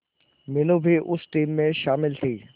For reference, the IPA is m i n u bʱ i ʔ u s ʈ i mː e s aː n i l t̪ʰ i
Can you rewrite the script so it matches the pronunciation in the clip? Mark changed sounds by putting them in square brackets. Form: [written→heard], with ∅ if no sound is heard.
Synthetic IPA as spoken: m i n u bʱ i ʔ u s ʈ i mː e [s→ʃ] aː [n→m] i l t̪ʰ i